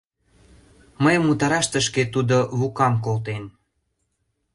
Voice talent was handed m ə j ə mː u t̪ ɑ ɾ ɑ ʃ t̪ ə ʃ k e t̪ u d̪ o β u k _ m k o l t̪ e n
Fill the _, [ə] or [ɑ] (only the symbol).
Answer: ɑ